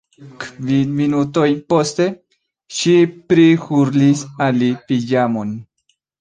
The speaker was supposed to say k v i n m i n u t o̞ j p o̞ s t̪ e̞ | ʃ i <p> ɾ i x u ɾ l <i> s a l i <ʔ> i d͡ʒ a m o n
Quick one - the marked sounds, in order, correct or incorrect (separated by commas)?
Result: correct, correct, incorrect